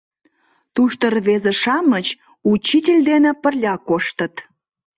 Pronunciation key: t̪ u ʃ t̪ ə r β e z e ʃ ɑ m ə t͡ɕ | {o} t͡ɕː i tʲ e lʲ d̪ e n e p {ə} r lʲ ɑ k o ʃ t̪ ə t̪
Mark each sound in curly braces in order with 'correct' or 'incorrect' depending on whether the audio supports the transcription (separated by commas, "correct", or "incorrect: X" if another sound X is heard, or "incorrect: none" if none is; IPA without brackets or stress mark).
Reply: incorrect: u, correct